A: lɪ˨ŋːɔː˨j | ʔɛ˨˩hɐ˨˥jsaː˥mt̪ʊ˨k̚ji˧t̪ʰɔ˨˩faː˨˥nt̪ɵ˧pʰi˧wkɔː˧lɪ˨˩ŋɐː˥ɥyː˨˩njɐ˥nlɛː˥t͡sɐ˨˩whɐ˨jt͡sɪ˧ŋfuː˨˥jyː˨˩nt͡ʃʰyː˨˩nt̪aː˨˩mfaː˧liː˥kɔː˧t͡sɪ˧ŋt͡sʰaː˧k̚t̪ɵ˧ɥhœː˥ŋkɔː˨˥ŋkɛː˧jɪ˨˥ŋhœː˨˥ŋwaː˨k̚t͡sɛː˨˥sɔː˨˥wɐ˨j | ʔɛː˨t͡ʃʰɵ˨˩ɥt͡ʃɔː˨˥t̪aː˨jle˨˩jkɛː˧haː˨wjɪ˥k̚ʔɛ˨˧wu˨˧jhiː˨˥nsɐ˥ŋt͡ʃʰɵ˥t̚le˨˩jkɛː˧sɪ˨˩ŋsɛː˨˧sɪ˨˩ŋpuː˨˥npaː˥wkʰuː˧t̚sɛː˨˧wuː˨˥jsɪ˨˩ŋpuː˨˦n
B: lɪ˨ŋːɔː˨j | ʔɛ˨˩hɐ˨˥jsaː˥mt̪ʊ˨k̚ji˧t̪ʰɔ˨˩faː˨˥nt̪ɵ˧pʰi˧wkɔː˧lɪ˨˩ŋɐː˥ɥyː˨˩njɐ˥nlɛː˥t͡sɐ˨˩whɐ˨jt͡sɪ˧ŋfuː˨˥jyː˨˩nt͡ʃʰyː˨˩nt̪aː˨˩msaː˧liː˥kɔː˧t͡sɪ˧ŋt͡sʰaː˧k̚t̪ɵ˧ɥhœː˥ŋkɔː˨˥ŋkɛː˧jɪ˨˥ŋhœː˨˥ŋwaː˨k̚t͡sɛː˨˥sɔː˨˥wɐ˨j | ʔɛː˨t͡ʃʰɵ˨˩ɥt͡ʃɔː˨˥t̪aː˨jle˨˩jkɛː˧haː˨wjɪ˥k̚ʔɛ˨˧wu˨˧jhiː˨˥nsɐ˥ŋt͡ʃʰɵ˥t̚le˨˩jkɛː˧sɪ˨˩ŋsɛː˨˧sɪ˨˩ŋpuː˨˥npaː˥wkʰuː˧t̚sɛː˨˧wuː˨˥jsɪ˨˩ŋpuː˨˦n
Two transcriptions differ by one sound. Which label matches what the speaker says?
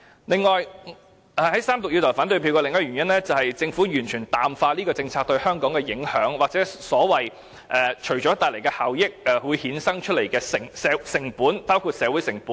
A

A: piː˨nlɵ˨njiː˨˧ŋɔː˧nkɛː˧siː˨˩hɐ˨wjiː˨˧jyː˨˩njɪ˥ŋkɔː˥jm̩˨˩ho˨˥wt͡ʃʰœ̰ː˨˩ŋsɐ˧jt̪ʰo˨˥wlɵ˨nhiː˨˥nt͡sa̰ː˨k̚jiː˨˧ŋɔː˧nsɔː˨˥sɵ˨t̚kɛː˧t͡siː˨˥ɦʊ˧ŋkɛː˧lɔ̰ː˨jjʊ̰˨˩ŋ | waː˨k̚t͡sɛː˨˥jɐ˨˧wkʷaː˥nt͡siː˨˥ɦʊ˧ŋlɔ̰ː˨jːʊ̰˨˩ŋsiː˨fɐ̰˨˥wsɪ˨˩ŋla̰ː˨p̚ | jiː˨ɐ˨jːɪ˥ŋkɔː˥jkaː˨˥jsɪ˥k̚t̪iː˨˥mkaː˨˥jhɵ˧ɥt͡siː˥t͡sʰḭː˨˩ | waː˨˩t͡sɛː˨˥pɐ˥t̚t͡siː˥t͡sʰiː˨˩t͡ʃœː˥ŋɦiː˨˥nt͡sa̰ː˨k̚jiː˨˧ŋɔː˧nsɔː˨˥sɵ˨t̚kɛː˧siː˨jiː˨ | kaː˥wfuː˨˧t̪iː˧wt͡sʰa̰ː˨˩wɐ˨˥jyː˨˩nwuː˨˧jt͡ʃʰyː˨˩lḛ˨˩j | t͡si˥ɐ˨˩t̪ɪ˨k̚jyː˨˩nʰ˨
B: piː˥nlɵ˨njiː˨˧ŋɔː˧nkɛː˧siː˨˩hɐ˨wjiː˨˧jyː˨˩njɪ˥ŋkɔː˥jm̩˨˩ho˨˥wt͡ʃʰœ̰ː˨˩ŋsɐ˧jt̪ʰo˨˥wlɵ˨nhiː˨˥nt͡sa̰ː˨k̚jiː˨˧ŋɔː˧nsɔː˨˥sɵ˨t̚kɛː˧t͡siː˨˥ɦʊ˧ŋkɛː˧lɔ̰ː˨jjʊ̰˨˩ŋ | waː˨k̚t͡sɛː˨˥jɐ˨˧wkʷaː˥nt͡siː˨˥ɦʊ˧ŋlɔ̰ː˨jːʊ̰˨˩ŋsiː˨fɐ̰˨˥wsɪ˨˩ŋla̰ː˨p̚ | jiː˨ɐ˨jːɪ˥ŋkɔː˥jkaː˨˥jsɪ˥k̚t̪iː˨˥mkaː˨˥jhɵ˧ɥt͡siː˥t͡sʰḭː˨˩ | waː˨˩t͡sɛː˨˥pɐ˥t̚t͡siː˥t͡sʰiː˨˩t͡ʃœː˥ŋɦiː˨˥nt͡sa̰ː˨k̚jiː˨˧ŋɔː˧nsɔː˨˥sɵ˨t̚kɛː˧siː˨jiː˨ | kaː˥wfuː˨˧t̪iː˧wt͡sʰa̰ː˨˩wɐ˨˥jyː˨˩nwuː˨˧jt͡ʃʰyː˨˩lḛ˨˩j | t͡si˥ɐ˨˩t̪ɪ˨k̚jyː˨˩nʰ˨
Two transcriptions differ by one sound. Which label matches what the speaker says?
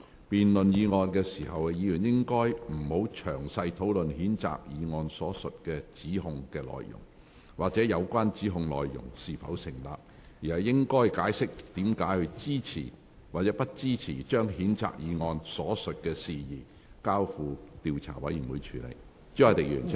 A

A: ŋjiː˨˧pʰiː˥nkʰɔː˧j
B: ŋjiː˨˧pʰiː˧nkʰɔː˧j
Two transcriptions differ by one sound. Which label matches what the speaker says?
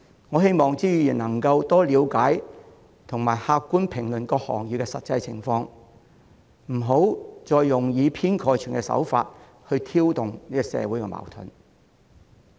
A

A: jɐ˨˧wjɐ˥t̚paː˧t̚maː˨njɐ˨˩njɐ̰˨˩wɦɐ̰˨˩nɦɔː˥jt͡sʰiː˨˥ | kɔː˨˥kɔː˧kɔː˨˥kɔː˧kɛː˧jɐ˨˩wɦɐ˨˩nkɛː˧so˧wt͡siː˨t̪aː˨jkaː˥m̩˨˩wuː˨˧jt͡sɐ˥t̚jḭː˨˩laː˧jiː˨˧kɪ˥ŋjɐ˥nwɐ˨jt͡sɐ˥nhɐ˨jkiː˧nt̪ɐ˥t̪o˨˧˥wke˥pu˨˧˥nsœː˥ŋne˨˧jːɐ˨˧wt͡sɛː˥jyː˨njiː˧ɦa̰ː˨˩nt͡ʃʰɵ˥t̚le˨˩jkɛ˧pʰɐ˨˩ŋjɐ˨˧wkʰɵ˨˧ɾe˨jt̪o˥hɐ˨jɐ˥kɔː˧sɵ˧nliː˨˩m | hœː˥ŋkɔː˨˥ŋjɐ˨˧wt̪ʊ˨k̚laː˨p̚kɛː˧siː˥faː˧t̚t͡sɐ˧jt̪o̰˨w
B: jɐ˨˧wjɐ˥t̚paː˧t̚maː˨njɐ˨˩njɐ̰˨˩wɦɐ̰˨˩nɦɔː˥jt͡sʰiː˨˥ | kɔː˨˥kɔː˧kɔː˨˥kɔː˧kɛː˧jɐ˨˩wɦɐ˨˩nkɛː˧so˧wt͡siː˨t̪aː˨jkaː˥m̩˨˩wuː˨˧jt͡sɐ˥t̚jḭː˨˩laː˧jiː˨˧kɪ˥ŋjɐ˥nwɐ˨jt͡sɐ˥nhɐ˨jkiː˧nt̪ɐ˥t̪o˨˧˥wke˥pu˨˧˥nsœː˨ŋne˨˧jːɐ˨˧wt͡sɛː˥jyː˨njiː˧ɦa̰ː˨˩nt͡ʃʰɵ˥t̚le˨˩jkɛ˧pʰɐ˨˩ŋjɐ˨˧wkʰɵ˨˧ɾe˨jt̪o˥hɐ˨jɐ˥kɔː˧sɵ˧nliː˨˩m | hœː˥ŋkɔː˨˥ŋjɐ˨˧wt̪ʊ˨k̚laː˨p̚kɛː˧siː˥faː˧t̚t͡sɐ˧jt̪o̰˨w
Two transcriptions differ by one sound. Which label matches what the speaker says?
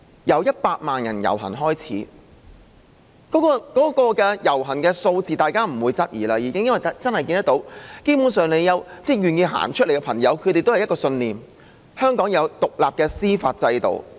B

